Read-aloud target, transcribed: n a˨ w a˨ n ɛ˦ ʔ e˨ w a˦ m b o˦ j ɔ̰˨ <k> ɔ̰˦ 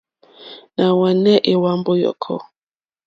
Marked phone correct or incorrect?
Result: incorrect: kʰ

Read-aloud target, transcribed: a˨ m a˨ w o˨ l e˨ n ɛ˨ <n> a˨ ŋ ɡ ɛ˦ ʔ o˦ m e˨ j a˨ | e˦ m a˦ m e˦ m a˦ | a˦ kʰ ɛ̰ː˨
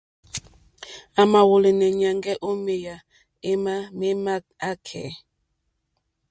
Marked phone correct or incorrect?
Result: incorrect: ɲ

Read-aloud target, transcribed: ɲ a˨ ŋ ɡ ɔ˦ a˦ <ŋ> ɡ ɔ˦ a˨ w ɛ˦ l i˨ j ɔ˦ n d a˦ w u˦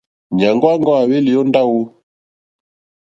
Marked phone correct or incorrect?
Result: correct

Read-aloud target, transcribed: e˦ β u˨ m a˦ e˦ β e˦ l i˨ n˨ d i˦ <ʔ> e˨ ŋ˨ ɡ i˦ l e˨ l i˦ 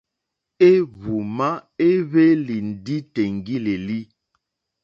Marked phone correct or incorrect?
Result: incorrect: t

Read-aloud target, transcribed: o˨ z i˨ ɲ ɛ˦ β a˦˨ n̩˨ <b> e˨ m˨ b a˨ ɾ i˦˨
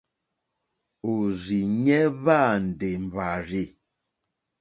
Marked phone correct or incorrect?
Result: incorrect: d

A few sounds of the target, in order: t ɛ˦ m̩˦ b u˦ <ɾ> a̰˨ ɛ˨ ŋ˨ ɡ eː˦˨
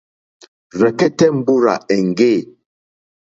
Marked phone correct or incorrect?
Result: correct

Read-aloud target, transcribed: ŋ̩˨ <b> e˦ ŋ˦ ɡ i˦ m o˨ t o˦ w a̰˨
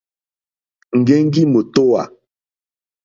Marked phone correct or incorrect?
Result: incorrect: ɡ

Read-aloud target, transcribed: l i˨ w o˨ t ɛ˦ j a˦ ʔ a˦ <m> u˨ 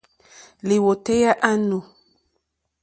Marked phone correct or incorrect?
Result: incorrect: n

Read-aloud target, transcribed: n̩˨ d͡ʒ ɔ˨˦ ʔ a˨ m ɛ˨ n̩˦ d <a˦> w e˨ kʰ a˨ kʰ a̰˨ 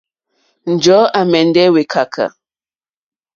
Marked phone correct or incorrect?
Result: incorrect: ɛ˦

